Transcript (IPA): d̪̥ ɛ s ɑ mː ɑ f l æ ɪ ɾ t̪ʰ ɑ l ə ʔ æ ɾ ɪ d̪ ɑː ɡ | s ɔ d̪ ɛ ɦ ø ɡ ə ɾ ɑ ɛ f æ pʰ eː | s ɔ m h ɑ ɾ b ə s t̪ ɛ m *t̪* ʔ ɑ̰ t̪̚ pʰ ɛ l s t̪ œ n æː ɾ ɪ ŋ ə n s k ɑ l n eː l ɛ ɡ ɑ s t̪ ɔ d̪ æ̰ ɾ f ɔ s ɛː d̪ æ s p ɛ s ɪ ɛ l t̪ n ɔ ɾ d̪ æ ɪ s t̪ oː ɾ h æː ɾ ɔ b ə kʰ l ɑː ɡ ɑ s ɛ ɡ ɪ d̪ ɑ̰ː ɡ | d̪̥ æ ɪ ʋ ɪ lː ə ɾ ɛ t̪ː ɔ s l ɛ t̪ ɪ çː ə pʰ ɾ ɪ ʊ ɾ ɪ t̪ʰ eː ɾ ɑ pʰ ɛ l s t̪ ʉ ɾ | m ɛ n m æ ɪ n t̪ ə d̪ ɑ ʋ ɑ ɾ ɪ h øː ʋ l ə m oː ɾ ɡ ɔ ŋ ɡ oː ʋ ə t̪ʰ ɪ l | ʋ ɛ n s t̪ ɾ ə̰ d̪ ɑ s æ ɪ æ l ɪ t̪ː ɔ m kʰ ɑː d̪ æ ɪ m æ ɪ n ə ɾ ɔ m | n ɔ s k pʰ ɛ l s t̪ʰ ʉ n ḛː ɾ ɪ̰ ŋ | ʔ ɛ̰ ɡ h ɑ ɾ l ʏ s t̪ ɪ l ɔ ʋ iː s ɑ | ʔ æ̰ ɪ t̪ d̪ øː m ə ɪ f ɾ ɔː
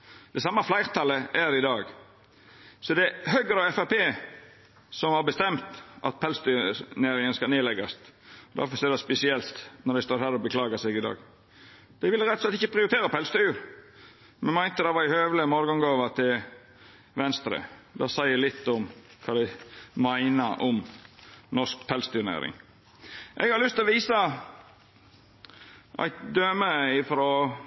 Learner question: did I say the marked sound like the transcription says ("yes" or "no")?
yes